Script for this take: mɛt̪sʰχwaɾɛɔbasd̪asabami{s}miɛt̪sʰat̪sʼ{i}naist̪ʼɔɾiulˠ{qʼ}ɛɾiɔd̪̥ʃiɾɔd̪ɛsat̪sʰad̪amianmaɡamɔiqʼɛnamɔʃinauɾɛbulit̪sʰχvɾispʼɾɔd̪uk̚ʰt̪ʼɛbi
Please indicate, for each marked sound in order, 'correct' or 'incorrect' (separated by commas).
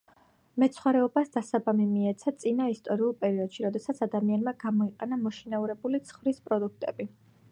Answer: incorrect, correct, incorrect